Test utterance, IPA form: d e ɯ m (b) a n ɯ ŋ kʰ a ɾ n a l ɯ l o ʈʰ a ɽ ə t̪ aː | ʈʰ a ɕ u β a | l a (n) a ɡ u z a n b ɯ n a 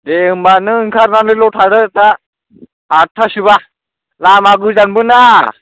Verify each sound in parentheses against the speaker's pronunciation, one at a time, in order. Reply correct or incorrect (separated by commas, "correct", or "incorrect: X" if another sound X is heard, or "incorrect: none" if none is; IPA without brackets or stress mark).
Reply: correct, incorrect: m